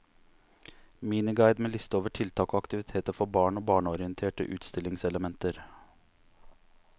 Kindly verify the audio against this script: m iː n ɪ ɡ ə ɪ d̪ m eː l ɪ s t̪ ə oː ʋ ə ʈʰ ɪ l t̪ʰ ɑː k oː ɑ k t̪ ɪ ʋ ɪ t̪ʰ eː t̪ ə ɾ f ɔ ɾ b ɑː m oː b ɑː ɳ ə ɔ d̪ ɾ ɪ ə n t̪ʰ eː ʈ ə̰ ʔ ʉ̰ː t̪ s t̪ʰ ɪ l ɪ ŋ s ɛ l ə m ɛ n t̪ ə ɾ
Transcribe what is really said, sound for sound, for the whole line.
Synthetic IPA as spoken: m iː n ɪ ɡ ɑ ɪ d̪ m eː l ɪ s t̪ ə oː ʋ ə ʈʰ ɪ l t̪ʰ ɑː k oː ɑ k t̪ ɪ ʋ ɪ t̪ʰ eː t̪ ə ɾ f ɔ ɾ b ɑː ɳ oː b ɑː ɳ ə ɔ ɾ ɪ ə n t̪ʰ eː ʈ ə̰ ʔ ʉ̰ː t̪ s t̪ ɪ l ɪ ŋ s ɛ l ə m ɛ n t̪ ə ɾ

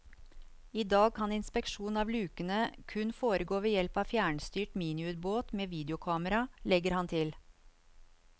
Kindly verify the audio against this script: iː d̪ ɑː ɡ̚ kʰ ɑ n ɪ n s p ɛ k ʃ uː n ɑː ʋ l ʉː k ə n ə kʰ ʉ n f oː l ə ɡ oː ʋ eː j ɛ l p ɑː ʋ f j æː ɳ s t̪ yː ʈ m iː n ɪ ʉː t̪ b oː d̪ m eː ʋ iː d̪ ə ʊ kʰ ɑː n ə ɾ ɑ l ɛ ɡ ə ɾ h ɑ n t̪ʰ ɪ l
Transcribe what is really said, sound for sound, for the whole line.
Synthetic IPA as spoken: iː d̪ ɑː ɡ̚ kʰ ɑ n ɪ n s p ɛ k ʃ uː n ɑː ʋ l ʉː k ə n ə kʰ ʉ n f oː ɾ ə ɡ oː ʋ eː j ɛ l p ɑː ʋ f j æː ɳ s t̪ yː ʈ m iː n ɪ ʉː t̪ b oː t̪ m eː ʋ iː d̪ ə ʊ kʰ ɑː m ə ɾ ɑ l ɛ ɡ ə ɾ h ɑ n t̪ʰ ɪ l

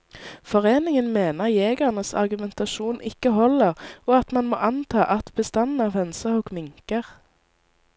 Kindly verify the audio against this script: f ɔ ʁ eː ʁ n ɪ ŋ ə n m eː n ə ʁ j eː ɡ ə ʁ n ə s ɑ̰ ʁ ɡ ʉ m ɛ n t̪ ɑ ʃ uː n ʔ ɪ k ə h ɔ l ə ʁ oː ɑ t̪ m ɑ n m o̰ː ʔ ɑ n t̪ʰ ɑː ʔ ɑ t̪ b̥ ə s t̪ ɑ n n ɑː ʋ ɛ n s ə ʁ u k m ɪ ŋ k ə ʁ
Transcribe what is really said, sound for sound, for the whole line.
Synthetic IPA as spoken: f ɔ ʁ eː n ɪ ŋ ə n m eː n ə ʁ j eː ɡ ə ʁ n ə s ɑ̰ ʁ ɡ ʉ m ɛ n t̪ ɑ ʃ uː n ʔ ɪ k ə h ɔ l ə ʁ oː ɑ t̪ m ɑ n m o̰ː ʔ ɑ n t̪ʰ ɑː ʔ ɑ t̪ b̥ ə s t̪ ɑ n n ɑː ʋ ɛ n s ə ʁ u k m ɪ ŋ k ə ʁ

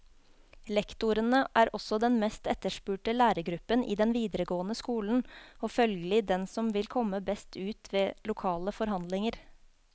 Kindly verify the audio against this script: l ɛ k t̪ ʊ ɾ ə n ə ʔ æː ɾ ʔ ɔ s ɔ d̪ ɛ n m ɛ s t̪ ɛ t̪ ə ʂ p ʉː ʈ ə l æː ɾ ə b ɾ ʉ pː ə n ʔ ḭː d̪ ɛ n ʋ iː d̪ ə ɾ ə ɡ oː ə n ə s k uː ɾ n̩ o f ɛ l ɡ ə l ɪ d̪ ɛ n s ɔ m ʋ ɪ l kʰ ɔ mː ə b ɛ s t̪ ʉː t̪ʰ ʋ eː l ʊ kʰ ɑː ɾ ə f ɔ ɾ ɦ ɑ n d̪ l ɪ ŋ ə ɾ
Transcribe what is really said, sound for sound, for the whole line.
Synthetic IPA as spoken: l ɛ k t̪ ʊ ɾ ə n ə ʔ æː ɾ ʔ ɔ s ɔ d̪ ɛ n m ɛ s t̪ ɛ t̪ ə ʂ p ʉː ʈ ə l æː ɾ ə ɡ ɾ ʉ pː ə n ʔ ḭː d̪ ɛ n ʋ iː d̪ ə ɾ ə ɡ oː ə n ə s k uː l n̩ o f œ l ɡ ə l ɪ d̪ ɛ n s ɔ m ʋ ɪ l kʰ ɔ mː ə b ɛ s t̪ ʉː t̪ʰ ʋ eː l ʊ kʰ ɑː l ə f ɔ ɾ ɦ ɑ n d̪ l ɪ ŋ ə ɾ

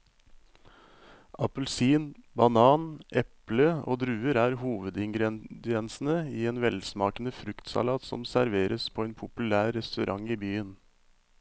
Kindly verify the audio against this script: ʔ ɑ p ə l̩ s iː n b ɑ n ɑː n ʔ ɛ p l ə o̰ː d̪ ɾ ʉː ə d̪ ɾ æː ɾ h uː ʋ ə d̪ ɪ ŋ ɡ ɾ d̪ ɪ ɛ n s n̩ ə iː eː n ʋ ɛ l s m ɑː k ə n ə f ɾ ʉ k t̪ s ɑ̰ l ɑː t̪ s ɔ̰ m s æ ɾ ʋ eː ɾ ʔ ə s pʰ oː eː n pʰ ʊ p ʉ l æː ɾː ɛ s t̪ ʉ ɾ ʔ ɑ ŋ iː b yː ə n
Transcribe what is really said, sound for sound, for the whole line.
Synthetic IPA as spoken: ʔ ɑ p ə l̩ s iː n b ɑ n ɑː n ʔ ɛ p l ə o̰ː d̪ ɾ ʉː ə ɾ æː ɾ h uː ʋ ə d̪ ɪ ŋ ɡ ɾ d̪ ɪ ɛ n s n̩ ə iː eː n ʋ ɛ l s m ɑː k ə n ə f ɾ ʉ k t̪ s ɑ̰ l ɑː t̪ s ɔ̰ m s æ ɾ ʋ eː ɾ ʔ ə s pʰ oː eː n pʰ ʊ p ʉ l æː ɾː ɛ s t̪ ʉ ɾ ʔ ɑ ŋ iː b yː ə n

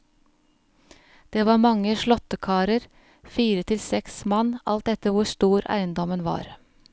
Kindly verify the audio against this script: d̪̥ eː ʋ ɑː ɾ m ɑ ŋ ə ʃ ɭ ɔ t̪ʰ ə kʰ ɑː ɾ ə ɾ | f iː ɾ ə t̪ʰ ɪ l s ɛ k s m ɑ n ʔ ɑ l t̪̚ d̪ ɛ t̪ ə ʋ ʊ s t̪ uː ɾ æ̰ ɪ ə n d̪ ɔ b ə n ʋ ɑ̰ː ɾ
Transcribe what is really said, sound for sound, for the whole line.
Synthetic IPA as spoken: d̪̥ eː ʋ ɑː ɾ m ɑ ŋ ə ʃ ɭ ɔ t̪ ə kʰ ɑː ɾ ə ɾ | f iː ɾ ə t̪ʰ ɪ l s ɛ k s m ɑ n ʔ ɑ l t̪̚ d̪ ɛ t̪ ə ʋ ʊ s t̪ uː ɾ æ̰ ɪ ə n d̪ ɔ m ə n ʋ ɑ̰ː ɾ

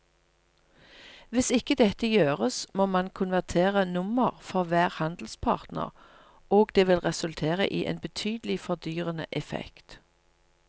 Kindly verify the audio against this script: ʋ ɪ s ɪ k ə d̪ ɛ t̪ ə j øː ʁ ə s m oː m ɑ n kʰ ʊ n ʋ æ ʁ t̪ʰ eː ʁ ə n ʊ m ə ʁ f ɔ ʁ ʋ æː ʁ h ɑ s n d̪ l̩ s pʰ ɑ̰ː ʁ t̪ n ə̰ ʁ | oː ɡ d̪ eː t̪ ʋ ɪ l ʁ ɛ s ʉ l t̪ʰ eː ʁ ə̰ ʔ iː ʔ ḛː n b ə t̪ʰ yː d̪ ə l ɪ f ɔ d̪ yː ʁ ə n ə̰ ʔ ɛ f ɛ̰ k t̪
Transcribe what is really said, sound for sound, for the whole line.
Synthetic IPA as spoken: ʋ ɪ s ɪ k ə d̪ ɛ t̪ ə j øː ʁ ə s m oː m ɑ n kʰ ʊ n ʋ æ ʁ t̪ʰ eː ʁ ə n ʊ m ə ʁ f ɔ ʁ ʋ æː ʁ h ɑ n d̪ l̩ s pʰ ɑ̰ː ʁ t̪ n ə̰ ʁ | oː ɡ d̪ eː ʋ ɪ l ʁ ɛ s ʉ l t̪ʰ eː ʁ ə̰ ʔ iː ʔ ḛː n b ə t̪ʰ yː d̪ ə l ɪ f ɔ d̪ yː ʁ ə n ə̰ ʔ ɛ f ɛ̰ k t̪

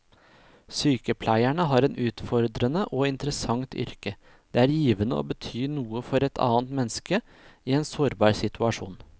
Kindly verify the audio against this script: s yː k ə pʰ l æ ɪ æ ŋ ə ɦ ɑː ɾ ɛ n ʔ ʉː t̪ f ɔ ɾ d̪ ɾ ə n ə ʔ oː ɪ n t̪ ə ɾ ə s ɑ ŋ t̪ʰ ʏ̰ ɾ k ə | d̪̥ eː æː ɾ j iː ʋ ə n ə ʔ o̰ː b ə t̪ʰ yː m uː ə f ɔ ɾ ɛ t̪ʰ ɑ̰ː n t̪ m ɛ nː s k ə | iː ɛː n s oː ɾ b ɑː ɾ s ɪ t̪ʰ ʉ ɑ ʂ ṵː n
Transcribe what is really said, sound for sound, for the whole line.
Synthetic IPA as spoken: s yː k ə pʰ l æ ɪ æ ɳ ə ɦ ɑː ɾ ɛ n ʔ ʉː t̪ f ɔ ɾ d̪ ɾ ə n ə ʔ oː ɪ n t̪ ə ɾ ə s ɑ ŋ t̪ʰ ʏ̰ ɾ k ə | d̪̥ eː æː ɾ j iː ʋ ə n ə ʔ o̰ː b ə t̪ʰ yː n uː ə f ɔ ɾ ɛ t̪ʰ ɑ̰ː n t̪ m ɛ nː s k ə | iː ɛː n s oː ɾ b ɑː ɾ s ɪ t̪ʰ ʉ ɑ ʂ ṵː n

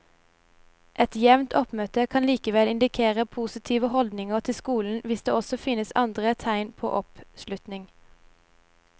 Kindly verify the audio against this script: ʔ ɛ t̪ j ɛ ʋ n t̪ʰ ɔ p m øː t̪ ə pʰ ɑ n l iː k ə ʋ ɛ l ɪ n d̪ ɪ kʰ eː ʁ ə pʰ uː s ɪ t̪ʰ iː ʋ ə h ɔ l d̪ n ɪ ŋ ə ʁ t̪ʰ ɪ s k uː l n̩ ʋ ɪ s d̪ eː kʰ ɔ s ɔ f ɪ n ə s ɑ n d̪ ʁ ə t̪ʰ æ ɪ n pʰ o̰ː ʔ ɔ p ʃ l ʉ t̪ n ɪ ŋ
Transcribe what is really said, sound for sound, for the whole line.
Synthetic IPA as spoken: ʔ ɛ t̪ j ɛ ʋ n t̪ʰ ɔ p m øː t̪ ə kʰ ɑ n l iː k ə ʋ ɛ l ɪ n d̪ ɪ kʰ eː ʁ ə pʰ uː s ɪ t̪ʰ iː ʋ ə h ɔ l d̪ n ɪ ŋ ə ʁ t̪ʰ ɪ s k uː l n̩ ʋ ɪ s d̪ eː ɔ s ɔ f ɪ n ə s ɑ n d̪ ʁ ə t̪ʰ æ ɪ n pʰ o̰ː ʔ ɔ p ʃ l ʉ t̪ n ɪ ŋ

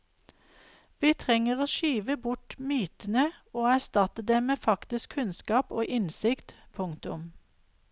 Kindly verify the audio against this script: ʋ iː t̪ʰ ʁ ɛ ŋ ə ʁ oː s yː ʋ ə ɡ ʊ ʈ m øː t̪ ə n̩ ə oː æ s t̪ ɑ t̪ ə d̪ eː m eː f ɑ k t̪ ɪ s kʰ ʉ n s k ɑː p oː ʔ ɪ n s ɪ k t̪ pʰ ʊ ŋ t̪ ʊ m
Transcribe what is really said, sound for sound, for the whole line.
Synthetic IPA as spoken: ʋ iː t̪ʰ ʁ ɛ ŋ ə ʁ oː ʃ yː ʋ ə b ʊ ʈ m yː t̪ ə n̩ ə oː æ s t̪ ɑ t̪ ə d̪ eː m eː f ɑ k t̪ ɪ s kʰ ʉ n s k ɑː p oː ʔ ɪ n s ɪ k t̪ pʰ ʊ ŋ t̪ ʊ m

